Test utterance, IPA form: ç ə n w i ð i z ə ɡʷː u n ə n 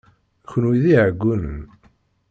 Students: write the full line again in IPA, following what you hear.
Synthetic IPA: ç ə n w i ð i ʕ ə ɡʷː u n ə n